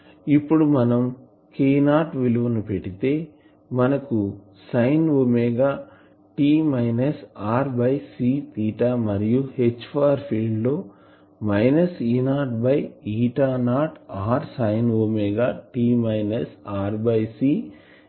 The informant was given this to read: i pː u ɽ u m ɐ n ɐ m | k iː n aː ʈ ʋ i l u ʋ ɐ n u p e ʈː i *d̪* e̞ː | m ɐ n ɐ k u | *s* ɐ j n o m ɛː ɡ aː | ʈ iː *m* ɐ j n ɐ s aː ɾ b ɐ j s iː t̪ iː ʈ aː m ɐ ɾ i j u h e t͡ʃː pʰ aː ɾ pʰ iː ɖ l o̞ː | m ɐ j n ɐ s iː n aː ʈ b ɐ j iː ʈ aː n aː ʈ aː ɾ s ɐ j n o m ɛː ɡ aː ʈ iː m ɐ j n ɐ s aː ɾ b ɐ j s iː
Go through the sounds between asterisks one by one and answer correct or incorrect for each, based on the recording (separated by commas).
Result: incorrect, correct, correct